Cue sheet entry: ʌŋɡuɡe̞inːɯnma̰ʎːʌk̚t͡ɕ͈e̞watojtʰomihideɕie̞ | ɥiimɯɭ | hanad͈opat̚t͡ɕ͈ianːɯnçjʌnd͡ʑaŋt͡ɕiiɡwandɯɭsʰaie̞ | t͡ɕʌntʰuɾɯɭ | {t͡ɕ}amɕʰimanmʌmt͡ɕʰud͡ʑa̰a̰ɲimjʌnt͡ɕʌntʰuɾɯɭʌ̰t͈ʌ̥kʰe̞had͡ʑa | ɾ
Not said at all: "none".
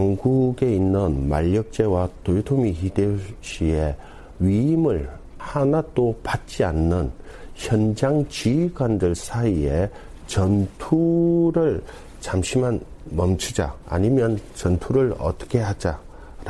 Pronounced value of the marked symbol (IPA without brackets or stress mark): t͡ɕ